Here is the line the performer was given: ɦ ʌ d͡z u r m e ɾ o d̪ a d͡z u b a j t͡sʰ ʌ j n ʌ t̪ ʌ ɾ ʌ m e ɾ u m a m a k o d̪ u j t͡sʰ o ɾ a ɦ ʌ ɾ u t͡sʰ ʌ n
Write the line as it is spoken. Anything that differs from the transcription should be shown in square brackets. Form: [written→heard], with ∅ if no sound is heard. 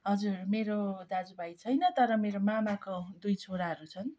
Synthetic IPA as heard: ɦ ʌ d͡z u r m e ɾ o d̪ a d͡z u b a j t͡sʰ ʌ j n ʌ t̪ ʌ ɾ ʌ m e ɾ [u→o] m a m a k o d̪ u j t͡sʰ o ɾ a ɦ ʌ ɾ u t͡sʰ ʌ n